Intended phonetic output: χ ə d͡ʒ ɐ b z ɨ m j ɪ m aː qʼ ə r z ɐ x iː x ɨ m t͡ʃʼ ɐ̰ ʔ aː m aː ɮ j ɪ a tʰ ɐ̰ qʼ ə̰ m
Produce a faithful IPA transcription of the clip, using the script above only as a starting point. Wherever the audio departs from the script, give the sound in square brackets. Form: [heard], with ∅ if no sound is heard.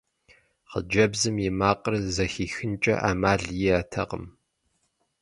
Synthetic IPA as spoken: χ ə d͡ʒ ɐ b z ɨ m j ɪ m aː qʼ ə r z ɐ x iː x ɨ [n] t͡ʃʼ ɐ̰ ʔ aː m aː ɮ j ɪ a tʰ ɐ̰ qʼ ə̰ m